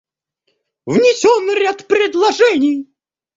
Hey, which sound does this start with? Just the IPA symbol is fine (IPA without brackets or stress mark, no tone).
v